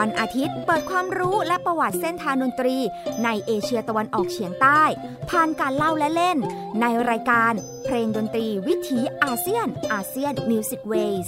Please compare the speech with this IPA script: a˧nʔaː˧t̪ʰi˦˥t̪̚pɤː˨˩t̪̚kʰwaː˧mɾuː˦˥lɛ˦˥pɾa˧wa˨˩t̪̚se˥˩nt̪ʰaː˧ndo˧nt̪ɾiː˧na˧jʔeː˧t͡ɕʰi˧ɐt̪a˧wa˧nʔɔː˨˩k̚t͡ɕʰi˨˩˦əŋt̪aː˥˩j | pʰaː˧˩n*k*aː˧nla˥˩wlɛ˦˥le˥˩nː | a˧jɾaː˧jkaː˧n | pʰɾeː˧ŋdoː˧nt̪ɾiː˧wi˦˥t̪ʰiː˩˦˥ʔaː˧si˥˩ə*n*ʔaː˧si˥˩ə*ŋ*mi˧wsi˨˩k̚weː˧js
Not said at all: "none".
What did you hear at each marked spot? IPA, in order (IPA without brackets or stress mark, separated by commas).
k, n, n